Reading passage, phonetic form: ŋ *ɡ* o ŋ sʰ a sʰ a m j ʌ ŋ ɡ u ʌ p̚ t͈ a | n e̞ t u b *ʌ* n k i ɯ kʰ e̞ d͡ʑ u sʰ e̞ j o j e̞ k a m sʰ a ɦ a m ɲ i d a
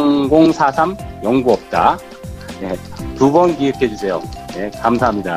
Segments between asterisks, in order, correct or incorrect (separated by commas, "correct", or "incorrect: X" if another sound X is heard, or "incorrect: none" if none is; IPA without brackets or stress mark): correct, correct